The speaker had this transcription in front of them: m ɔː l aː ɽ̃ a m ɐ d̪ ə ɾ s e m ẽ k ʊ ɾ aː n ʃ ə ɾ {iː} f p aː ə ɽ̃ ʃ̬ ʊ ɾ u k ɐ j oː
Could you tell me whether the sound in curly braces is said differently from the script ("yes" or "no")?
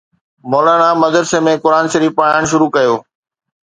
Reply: no